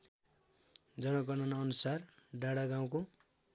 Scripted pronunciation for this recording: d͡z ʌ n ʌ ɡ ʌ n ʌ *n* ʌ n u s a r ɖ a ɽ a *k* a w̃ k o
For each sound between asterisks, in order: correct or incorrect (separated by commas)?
correct, incorrect